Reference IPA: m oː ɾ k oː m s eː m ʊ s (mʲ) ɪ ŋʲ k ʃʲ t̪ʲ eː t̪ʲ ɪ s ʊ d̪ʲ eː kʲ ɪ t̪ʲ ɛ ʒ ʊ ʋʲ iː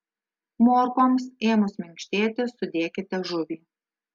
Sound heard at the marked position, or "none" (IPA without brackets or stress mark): mʲ